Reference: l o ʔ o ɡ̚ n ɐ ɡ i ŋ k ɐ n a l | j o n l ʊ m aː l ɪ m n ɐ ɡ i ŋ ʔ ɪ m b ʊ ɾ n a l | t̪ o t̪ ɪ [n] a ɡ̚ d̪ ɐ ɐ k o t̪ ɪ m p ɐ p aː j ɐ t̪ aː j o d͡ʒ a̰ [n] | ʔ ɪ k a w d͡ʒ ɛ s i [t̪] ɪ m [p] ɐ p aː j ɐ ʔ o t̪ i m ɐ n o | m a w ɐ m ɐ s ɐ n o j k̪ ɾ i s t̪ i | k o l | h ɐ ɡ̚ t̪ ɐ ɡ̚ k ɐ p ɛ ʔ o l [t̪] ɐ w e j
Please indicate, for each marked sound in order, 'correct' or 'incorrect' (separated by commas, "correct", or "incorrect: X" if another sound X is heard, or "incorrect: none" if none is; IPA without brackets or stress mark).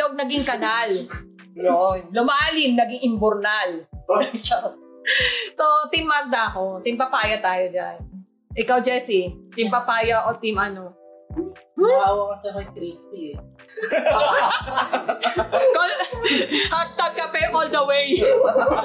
incorrect: m, correct, correct, correct, incorrect: d̪